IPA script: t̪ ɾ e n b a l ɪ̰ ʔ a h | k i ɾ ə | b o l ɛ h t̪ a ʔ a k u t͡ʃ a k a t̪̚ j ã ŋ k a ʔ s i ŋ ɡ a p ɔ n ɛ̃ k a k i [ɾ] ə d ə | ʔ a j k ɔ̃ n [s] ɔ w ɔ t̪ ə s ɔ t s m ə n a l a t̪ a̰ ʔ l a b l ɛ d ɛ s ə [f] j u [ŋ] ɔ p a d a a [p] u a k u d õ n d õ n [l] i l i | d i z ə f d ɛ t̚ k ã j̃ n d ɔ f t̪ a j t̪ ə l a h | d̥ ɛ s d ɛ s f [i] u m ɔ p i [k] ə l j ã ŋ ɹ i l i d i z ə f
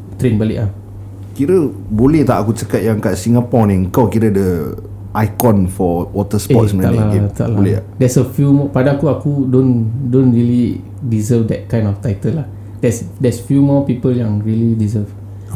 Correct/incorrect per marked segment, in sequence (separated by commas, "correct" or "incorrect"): correct, incorrect, correct, incorrect, incorrect, incorrect, incorrect, incorrect